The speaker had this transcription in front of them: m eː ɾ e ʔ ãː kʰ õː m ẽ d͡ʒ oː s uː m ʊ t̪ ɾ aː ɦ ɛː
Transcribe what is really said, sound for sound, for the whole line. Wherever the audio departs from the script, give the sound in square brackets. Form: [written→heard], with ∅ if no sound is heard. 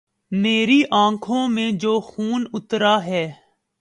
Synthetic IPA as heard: m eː ɾ [e→i] ʔ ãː kʰ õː m ẽ d͡ʒ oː [s→x] uː [m→n] ʊ t̪ ɾ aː ɦ ɛː